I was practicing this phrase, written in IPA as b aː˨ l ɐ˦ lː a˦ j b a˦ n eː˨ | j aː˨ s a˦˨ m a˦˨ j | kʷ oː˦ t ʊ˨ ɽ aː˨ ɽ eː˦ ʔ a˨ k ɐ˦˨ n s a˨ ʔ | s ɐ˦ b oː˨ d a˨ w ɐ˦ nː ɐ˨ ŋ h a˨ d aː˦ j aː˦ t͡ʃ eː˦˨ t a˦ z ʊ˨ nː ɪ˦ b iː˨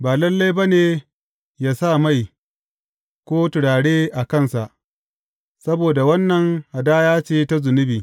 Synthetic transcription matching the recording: b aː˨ l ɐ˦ lː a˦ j b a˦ n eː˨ | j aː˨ s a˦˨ m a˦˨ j | kʷ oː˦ t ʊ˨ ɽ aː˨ ɽ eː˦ ʔ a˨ k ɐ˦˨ n s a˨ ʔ | s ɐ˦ b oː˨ d a˨ w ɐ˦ nː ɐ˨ ŋ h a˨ d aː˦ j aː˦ t͡ʃ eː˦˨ t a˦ z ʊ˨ n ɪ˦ b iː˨